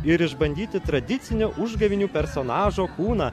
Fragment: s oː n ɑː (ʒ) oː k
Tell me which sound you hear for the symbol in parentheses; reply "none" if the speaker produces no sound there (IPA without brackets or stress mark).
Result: ʒ